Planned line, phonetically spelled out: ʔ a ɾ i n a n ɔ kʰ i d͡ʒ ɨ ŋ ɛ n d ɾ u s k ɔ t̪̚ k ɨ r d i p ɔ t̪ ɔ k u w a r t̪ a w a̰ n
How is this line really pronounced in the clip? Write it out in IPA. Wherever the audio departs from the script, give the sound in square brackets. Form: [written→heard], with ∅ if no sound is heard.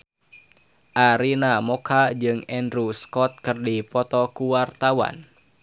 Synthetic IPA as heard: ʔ a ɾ i n a [n→m] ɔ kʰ [i→a] d͡ʒ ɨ ŋ ɛ n d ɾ u s k ɔ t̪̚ k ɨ r d i p ɔ t̪ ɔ k u w a r t̪ a w a̰ n